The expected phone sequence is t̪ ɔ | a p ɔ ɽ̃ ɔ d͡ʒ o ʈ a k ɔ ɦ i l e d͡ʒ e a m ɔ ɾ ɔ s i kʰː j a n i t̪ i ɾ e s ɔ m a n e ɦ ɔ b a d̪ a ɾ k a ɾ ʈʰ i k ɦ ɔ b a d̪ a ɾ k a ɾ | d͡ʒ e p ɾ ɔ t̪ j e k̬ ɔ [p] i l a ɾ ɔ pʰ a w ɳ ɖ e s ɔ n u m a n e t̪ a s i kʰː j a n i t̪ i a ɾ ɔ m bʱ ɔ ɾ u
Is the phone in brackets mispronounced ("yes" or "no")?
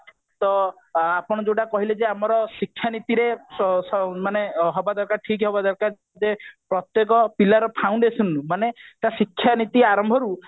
no